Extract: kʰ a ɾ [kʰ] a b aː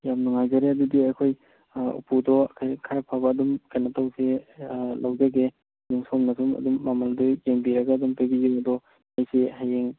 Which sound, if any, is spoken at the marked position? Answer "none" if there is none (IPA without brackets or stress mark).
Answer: pʰ